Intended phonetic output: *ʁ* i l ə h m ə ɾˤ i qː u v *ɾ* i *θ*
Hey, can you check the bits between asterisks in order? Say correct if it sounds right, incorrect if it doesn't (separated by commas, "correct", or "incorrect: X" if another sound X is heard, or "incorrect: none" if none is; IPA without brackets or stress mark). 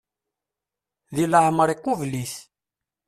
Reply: incorrect: ð, incorrect: l, correct